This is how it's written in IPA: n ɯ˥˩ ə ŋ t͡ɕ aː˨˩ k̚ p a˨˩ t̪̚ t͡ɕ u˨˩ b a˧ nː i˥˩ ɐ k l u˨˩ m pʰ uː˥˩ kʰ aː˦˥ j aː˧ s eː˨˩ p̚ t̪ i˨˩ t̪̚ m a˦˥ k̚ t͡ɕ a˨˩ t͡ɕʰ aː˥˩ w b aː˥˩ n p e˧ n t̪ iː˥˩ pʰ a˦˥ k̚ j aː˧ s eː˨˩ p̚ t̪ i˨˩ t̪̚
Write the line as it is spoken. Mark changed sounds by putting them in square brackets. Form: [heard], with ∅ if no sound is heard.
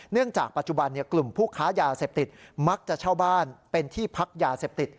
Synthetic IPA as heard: n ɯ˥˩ ə ŋ t͡ɕ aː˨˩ k̚ p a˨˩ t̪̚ t͡ɕ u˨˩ b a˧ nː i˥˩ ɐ k l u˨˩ m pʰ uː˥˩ kʰ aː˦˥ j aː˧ s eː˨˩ p̚ t̪ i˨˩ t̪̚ m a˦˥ k̚ t͡ɕ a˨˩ t͡ɕʰ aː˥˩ w b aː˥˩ n p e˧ n [t̪ʰ] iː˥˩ pʰ a˦˥ k̚ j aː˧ s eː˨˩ p̚ t̪ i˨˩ t̪̚